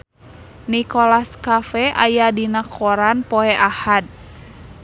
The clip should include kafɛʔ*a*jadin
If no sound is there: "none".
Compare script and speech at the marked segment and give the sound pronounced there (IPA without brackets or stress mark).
a